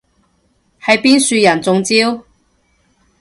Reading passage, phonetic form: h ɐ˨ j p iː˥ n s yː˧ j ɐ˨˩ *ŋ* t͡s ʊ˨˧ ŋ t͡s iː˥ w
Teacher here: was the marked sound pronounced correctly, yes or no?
no